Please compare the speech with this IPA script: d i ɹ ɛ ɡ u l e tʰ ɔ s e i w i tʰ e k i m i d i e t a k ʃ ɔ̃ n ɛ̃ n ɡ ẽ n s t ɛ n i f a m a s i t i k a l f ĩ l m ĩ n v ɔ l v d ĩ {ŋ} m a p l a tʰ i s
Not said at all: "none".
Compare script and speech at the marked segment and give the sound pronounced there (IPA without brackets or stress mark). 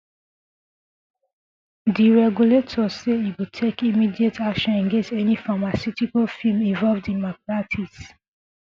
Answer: n